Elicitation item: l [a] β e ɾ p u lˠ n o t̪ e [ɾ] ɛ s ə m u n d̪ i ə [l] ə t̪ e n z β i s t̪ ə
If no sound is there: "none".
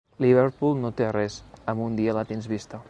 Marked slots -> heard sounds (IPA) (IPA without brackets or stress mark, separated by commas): i, r, l